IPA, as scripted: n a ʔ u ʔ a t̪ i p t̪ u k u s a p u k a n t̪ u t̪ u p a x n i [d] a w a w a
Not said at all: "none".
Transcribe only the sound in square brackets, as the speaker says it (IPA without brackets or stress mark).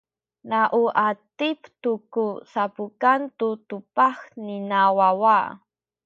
n